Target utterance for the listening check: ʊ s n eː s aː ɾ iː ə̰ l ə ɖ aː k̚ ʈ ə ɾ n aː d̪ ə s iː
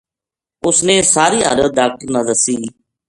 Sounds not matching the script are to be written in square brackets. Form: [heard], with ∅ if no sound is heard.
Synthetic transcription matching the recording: ʊ s n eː s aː ɾ iː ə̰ [ɾ] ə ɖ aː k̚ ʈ ə ɾ n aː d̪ ə s iː